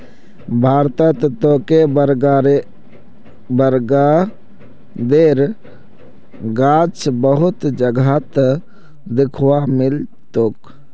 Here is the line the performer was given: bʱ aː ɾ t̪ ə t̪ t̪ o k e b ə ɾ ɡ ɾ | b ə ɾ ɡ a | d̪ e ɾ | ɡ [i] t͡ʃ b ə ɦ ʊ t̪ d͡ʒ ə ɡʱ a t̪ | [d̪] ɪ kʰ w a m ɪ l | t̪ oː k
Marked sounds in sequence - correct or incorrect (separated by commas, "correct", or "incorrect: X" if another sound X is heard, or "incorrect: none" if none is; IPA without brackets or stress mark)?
incorrect: a, correct